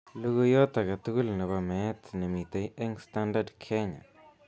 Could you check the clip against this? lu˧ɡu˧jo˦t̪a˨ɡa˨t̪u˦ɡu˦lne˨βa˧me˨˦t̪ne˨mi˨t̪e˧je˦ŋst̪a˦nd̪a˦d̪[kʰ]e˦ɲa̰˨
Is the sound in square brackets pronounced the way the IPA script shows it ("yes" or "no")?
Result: yes